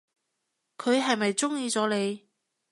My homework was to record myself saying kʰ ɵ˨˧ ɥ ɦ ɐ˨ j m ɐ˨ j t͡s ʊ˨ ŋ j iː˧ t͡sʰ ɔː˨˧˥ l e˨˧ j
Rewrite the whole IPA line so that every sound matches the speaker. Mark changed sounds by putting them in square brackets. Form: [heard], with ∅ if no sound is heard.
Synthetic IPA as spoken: kʰ ɵ˨˧ ɥ ɦ ɐ˨ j m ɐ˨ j t͡s [ʊ˥] ŋ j iː˧ [t͡s] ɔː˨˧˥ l e˨˧ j